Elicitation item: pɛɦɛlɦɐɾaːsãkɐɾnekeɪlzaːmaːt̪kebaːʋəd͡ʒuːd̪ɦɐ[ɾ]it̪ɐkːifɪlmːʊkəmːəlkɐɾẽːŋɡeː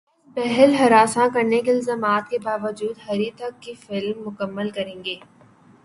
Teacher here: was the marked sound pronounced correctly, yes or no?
yes